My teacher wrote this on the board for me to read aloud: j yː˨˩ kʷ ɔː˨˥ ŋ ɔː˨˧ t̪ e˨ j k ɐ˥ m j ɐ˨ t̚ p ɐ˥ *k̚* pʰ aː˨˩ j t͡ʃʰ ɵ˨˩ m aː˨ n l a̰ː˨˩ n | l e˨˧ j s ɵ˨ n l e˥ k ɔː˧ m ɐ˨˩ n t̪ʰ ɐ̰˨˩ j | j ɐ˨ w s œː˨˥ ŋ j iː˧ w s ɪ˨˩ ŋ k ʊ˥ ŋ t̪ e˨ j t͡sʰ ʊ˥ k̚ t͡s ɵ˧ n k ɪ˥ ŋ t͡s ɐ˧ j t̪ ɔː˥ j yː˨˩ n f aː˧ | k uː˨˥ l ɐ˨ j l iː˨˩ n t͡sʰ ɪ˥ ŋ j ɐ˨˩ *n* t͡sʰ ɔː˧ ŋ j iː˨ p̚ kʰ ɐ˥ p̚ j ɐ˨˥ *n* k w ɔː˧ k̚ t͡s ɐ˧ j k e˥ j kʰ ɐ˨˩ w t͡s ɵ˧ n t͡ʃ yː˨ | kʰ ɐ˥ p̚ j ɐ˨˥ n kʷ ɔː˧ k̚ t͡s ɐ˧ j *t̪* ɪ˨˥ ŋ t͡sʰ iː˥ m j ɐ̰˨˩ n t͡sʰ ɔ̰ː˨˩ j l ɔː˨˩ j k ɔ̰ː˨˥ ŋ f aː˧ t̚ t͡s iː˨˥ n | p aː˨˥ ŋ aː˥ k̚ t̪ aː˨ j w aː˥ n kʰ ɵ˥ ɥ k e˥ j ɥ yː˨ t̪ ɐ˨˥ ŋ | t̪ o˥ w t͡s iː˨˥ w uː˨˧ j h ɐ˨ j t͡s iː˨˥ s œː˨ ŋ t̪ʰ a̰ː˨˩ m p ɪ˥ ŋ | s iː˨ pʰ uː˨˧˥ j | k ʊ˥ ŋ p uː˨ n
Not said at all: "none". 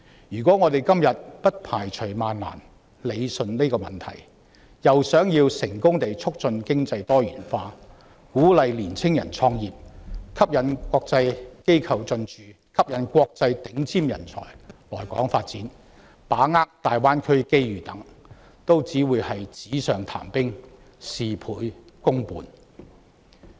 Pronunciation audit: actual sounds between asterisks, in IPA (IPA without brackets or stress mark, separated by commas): t̚, n, n, t̪